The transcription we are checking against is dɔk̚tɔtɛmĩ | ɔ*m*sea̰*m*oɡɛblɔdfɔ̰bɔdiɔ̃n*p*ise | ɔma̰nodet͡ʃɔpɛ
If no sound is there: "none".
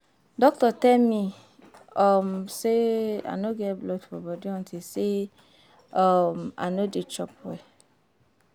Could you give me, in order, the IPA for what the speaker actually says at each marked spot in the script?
m, n, t

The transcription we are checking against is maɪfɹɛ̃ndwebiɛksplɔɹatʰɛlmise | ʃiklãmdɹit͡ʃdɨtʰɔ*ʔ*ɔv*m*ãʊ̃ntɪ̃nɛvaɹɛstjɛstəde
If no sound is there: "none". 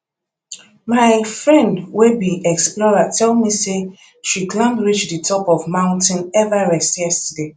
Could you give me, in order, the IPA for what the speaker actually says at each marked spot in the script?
p, m

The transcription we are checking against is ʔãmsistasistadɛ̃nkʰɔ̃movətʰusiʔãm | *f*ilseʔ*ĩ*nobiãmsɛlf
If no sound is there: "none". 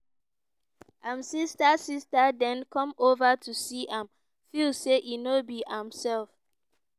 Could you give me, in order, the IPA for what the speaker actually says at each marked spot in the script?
f, i

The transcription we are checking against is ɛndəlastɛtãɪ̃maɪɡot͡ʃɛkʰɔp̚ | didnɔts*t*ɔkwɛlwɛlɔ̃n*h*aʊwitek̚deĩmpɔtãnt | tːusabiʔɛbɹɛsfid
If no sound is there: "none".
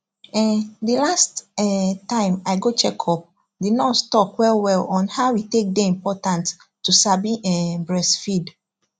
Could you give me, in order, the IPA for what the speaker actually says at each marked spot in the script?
t, h

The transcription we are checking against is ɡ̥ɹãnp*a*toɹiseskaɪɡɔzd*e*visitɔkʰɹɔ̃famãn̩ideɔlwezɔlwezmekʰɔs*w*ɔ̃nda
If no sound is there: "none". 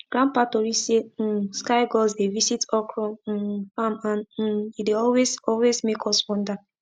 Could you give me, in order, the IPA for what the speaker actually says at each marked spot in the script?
a, e, w

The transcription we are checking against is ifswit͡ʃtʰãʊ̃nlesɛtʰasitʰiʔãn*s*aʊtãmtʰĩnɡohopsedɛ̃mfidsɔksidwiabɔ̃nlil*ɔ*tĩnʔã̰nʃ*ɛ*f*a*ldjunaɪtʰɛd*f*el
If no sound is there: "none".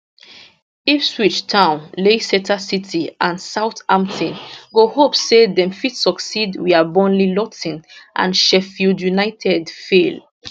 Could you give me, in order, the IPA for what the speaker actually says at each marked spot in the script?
s, ɔ, ɛ, i, f

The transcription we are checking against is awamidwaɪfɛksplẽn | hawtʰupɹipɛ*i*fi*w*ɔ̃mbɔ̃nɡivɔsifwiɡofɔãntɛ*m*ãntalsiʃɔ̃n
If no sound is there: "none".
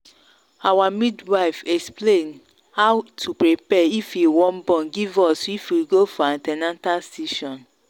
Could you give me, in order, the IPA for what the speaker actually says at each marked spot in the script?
i, w, n

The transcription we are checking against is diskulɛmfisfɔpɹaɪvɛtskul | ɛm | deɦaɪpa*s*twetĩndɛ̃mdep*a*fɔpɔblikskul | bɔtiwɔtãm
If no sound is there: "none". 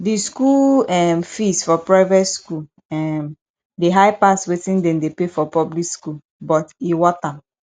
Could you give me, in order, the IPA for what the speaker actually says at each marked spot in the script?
s, e

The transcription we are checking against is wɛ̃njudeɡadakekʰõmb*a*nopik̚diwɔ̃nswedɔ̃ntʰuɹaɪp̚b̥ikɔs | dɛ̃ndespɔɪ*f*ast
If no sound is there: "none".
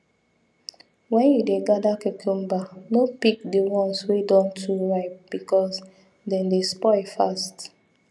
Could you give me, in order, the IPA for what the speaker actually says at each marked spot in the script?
a, f

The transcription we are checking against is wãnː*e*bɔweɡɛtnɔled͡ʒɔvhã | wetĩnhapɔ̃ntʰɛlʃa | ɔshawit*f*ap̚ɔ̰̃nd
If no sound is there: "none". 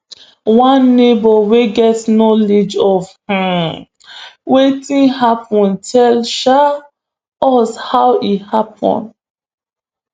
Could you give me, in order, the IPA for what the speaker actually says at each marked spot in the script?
e, h

